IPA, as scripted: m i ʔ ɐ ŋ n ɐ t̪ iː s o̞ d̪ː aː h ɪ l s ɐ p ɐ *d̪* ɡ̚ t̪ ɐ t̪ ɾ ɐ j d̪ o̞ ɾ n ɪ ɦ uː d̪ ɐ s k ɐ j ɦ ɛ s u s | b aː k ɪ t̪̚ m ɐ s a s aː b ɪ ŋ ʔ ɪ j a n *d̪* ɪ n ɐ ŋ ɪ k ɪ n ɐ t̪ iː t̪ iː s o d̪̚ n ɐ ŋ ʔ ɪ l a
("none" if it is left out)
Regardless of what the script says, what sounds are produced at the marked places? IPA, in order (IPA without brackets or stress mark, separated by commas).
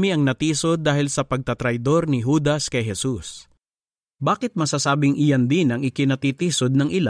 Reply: none, d̪